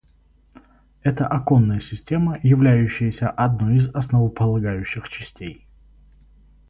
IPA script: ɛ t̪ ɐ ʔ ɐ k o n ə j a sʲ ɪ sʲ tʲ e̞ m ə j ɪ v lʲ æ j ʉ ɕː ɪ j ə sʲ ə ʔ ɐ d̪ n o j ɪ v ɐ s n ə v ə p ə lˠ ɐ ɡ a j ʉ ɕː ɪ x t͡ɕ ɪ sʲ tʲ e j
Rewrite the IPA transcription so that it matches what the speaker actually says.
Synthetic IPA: ɛ t̪ ə ʔ ɐ k o nː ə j ə sʲ ɪ sʲ tʲ e̞ m ə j ɪ v lʲ æ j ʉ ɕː ɪ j ə sʲ ə ʔ ɐ d̪ n o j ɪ z ɐ s n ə v ə p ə lˠ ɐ ɡ a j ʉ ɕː ɪ x t͡ɕ ɪ sʲ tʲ e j